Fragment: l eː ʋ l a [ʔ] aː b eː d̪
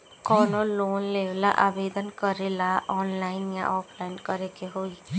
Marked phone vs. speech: correct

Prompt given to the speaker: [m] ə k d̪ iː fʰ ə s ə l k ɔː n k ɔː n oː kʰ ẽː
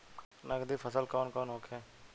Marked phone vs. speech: incorrect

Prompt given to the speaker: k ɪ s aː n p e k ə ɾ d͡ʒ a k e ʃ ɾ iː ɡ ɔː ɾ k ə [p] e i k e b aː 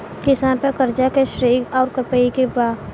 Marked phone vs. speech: correct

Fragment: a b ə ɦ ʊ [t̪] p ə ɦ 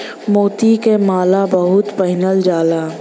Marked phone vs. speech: correct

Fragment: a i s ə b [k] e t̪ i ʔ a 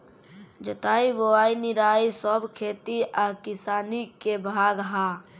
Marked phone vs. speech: incorrect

